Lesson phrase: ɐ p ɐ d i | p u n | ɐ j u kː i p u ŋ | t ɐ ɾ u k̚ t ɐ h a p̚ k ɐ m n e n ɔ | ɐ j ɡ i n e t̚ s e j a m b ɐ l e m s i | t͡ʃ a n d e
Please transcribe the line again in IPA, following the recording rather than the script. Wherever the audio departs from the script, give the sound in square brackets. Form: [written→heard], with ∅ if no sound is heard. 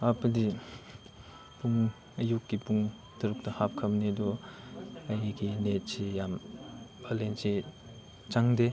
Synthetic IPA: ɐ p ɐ d i | p u [n→ŋ] | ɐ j u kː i p u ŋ | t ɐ ɾ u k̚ t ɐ h a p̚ [k→kʰ] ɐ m n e [n→d] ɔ | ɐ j ɡ i n e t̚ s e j a m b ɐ l e [m→n] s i | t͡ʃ a [n→ŋ] d e